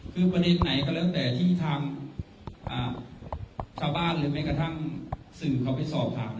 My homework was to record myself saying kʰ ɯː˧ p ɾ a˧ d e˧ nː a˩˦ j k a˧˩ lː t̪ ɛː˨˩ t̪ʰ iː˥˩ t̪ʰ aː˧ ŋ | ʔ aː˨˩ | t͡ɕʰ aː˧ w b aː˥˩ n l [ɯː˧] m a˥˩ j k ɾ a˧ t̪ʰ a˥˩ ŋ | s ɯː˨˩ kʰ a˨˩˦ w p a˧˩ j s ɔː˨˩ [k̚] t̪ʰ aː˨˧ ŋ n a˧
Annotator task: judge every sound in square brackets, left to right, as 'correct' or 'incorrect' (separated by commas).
incorrect, incorrect